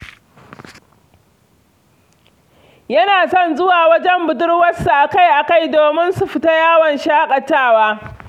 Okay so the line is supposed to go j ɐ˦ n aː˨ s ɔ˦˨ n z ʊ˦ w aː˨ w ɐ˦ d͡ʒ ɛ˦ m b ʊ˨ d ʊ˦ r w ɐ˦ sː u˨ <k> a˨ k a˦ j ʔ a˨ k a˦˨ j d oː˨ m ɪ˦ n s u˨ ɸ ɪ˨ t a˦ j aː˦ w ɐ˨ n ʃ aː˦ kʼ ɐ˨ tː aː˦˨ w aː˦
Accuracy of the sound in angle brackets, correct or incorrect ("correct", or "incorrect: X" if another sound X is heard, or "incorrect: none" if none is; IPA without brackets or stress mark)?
incorrect: ʔ